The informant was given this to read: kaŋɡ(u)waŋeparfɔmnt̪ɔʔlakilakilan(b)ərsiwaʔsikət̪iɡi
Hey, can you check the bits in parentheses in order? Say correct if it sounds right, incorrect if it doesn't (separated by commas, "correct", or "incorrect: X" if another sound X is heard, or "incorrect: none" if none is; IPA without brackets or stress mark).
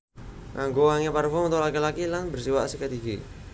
incorrect: o, correct